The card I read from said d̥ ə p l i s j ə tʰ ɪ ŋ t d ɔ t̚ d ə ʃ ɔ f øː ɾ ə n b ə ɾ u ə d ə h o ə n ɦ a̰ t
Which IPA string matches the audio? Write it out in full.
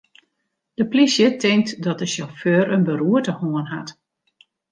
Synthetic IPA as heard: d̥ ə p l i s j ə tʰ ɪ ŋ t d ɔ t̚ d ə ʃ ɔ f øː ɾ ə n b ə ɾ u ə t ə h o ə n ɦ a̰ t